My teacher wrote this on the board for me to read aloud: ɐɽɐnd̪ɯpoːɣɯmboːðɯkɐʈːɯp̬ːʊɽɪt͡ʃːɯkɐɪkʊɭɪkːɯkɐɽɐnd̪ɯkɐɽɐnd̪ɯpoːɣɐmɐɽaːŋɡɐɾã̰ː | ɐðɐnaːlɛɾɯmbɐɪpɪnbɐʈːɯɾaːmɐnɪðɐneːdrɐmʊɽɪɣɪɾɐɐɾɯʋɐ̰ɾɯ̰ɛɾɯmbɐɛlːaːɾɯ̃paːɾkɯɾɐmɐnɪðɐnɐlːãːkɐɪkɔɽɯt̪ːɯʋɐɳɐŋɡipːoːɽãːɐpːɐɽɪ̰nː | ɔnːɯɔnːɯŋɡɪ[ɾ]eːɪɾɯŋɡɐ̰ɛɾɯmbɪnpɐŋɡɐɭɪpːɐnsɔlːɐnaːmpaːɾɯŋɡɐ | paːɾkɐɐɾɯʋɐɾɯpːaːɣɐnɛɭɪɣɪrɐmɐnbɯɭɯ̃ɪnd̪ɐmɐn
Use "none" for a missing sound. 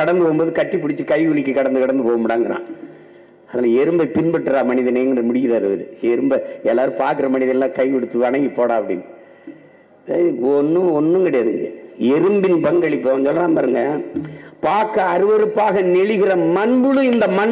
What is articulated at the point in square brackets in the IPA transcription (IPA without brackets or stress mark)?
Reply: ɽ